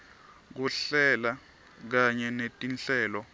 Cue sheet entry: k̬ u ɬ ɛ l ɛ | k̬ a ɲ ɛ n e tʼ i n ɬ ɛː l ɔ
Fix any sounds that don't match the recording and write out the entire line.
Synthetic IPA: k̬ u ɬ ɛ l a | k̬ a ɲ ɛ n e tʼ i n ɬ ɛː l ɔ